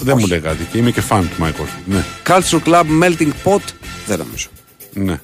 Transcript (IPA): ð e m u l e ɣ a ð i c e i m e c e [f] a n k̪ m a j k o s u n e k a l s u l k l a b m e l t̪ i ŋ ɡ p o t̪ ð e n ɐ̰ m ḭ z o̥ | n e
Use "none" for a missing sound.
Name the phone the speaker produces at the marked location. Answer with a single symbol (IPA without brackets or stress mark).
f